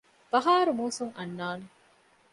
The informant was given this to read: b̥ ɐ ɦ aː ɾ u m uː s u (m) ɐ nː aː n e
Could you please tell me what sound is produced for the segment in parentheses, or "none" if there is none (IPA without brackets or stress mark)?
ŋ